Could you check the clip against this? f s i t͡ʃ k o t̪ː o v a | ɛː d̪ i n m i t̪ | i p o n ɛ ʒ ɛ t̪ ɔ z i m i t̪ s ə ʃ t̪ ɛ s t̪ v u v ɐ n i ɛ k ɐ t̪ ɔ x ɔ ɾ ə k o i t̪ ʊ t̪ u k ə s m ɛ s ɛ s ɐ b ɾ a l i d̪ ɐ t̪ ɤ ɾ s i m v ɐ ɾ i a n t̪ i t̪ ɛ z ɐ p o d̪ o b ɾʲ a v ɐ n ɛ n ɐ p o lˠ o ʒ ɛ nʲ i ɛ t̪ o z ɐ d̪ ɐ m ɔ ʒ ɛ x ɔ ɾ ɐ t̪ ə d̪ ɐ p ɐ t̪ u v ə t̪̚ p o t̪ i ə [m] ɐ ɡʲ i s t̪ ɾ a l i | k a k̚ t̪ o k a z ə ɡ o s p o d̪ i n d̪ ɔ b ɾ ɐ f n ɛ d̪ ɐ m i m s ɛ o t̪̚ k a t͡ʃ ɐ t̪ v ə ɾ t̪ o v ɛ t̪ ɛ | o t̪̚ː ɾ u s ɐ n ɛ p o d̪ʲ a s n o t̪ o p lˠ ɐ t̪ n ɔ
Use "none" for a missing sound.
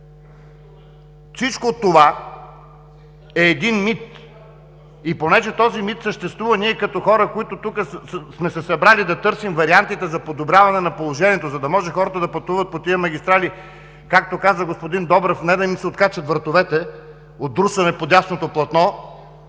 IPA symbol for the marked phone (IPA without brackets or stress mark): m